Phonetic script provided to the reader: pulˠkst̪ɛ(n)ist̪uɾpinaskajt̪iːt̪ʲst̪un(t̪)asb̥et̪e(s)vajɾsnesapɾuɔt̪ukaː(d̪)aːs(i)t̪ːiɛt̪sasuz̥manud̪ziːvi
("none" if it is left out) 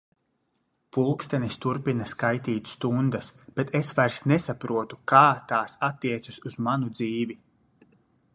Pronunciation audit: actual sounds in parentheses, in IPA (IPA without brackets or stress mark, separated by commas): n, d̪, s, t̪, a